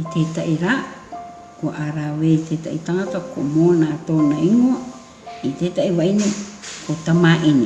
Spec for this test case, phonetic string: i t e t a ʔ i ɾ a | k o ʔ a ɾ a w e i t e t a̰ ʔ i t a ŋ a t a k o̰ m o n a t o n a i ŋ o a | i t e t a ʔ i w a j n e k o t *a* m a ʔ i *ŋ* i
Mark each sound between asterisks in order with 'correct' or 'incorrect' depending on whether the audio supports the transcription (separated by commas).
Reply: correct, incorrect